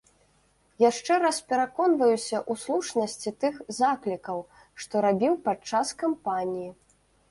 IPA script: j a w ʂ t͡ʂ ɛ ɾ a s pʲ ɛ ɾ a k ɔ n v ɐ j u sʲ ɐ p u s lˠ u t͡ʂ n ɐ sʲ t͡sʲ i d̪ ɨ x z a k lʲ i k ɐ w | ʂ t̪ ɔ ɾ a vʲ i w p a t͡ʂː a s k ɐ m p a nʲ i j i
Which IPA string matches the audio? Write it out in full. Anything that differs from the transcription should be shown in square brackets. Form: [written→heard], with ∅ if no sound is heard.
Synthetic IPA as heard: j a [w→∅] ʂ t͡ʂ ɛ ɾ a s pʲ ɛ ɾ a k ɔ n v ɐ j u sʲ ɐ [p→ʔ] u s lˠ u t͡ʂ n ɐ sʲ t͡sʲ i [d̪→t̪] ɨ x z a k lʲ i k ɐ w | ʂ t̪ ɔ ɾ a [vʲ→bʲ] i w p a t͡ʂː a s k [ɐ→a] m p a nʲ i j i